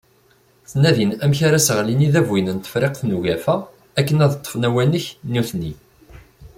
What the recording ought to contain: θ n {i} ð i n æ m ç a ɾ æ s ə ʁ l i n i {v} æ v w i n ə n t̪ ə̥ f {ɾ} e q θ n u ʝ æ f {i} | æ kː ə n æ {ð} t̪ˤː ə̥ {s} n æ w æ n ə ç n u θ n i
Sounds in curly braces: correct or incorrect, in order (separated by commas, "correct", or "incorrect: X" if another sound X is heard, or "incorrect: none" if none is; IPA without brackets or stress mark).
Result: incorrect: æ, incorrect: ð, correct, incorrect: æ, correct, incorrect: f